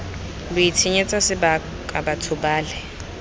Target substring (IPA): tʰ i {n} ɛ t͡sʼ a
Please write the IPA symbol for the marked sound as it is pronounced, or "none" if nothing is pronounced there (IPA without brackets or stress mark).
ɲ